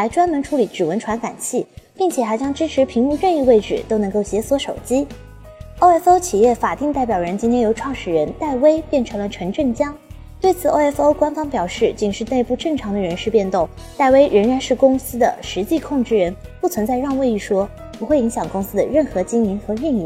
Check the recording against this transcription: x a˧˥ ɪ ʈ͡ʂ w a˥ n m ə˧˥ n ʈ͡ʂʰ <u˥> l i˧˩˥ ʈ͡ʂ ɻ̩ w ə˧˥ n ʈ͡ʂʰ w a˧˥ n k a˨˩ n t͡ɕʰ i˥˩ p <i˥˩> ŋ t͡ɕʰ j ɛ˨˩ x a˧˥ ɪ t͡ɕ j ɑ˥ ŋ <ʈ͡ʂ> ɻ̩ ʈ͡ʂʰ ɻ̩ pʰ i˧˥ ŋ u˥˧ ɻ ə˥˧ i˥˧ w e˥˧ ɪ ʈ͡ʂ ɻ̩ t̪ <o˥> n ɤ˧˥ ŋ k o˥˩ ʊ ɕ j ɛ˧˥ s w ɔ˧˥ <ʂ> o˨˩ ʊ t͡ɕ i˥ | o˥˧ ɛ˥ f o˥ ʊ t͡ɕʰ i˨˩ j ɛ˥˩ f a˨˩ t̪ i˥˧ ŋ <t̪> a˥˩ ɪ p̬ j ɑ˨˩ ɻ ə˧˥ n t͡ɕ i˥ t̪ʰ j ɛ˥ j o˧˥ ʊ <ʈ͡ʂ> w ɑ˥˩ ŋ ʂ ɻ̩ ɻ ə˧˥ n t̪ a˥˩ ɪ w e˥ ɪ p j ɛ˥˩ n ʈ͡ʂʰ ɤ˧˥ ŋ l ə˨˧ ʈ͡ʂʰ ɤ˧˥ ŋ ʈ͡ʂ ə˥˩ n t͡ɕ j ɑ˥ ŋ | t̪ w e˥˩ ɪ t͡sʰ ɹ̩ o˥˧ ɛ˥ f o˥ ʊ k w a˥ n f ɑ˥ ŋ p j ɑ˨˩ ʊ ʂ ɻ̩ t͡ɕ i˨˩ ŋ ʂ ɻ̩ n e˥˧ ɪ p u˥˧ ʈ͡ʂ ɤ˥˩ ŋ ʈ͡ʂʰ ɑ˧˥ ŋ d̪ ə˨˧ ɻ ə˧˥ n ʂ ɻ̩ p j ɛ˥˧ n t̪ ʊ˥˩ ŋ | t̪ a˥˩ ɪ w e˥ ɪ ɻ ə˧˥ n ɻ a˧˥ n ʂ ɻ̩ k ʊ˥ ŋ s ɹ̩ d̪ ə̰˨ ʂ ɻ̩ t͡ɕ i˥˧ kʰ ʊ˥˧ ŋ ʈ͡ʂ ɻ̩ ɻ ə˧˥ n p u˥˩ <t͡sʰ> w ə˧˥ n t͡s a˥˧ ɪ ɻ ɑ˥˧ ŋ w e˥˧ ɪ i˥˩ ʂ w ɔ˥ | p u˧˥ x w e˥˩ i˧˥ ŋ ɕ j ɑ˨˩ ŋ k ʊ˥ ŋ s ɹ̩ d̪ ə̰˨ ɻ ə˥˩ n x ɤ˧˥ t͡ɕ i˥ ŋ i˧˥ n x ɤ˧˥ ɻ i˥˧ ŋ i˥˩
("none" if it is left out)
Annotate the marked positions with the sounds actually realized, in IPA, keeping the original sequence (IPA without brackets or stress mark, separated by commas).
u˧˥, i˥˩, ʈ͡ʂ, o˥, ʂ, t̪, ʈ͡ʂʰ, t͡sʰ